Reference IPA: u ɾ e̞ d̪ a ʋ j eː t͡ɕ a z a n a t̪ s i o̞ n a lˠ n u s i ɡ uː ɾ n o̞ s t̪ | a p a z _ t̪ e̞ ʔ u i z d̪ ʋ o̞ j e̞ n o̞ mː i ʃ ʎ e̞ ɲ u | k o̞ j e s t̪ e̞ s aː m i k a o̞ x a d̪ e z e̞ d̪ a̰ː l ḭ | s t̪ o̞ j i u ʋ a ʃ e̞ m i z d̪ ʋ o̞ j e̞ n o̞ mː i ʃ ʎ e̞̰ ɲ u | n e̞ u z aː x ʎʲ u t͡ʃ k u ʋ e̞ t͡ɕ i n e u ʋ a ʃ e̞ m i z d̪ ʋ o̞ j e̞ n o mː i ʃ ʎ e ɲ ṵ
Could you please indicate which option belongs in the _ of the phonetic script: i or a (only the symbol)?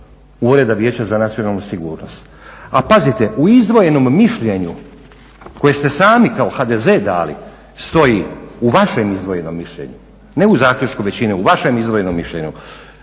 i